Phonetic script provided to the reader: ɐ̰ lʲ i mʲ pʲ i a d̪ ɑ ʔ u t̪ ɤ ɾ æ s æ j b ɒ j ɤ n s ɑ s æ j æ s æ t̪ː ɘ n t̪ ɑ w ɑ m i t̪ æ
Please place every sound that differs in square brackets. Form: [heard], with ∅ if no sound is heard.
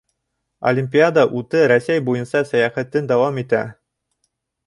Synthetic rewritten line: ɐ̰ lʲ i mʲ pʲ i a d̪ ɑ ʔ u t̪ ɤ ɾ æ s æ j b [u] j ɤ n s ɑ s æ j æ [χ] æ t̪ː ɘ n [d̪] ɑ w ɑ m i t̪ æ

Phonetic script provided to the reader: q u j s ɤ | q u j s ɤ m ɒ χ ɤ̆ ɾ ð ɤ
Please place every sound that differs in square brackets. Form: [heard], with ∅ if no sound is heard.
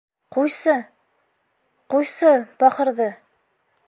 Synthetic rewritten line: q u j s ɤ | q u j s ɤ [b] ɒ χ ɤ̆ ɾ ð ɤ

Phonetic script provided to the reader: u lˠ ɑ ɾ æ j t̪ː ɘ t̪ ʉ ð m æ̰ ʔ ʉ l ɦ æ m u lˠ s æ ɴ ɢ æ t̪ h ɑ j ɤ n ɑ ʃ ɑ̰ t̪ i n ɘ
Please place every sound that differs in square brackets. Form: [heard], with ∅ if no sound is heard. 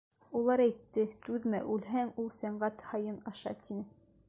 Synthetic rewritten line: u lˠ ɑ ɾ æ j t̪ː ɘ t̪ ʉ ð m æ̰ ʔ ʉ l ɦ æ [ŋ] u lˠ s æ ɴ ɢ æ t̪ h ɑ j ɤ n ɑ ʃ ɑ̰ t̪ i n ɘ

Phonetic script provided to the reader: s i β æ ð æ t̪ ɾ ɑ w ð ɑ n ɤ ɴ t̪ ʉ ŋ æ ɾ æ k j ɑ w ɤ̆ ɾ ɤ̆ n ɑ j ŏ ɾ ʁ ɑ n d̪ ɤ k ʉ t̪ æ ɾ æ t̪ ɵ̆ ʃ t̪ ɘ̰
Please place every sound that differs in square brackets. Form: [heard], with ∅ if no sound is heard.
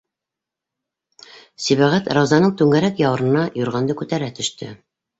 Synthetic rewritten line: s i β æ [ʁ] æ t̪ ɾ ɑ w [z] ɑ n ɤ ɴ t̪ ʉ ŋ æ ɾ æ k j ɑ w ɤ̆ ɾ ɤ̆ n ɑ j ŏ ɾ ʁ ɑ n d̪ ɤ k ʉ t̪ æ ɾ æ t̪ ɵ̆ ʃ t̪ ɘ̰

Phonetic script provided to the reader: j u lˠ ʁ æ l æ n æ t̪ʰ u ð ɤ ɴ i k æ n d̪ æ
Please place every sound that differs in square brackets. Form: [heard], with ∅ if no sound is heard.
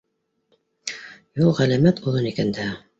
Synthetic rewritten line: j u lˠ ʁ æ l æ [m] æ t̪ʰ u ð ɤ [n] i k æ n d̪ æ

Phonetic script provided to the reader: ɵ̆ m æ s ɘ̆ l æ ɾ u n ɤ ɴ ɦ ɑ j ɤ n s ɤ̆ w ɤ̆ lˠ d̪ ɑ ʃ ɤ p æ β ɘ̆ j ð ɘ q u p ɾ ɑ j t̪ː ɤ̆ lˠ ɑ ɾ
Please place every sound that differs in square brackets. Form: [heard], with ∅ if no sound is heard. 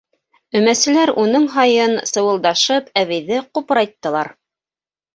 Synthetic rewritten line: ɵ̆ m æ s ɘ̆ l æ ɾ u n ɤ ɴ ɦ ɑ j ɤ n s ɤ̆ w ɤ̆ lˠ d̪ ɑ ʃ ɤ p æ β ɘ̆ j ð ɘ q u p ɾ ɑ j t̪ː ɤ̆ lˠ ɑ ɾ

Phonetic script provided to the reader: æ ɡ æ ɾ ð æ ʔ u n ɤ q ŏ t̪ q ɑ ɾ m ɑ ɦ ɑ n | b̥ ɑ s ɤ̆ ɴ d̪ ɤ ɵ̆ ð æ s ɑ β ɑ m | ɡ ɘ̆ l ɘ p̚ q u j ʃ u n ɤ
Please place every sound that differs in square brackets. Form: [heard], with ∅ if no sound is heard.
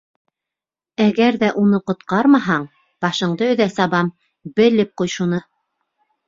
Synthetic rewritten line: æ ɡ æ ɾ ð æ ʔ u n ɤ q ŏ t̪ q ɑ ɾ m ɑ ɦ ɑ [ɴ] | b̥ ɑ [ʃ] ɤ̆ ɴ d̪ ɤ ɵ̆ ð æ s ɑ β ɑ m | [b] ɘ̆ l ɘ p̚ q u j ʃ u n ɤ

